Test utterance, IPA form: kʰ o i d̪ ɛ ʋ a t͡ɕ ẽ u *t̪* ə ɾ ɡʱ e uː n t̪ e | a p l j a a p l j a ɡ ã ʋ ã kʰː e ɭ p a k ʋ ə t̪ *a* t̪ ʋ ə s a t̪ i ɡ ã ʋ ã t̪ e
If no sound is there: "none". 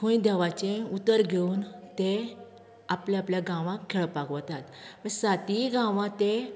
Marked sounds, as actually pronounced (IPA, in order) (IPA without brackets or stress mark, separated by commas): t̪, a